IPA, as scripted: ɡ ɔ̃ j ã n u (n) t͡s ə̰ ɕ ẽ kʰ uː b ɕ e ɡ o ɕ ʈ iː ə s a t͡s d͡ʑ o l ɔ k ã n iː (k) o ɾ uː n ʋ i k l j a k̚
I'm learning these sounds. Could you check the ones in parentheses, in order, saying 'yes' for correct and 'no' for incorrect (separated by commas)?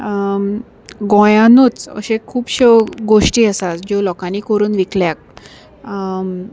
no, yes